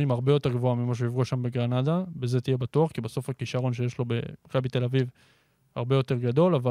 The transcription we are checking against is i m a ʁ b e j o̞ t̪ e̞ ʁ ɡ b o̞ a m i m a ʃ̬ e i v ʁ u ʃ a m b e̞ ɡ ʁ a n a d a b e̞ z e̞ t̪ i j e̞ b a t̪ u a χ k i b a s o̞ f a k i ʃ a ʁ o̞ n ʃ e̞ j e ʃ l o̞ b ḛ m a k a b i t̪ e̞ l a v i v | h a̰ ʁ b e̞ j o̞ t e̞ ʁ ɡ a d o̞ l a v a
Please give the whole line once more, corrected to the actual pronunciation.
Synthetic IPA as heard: i m a ʁ b e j o̞ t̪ e̞ ʁ ɡ v o̞ a m i m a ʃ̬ e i v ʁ u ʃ a m b e̞ ɡ ʁ a n a d a b e̞ z e̞ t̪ i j e̞ b a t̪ u a χ k i b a s o̞ f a k i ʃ a ʁ o̞ n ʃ e̞ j e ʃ l o̞ b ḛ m a k a b i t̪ e̞ l a v i v | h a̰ ʁ b e̞ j o̞ t e̞ ʁ ɡ a d o̞ l a v a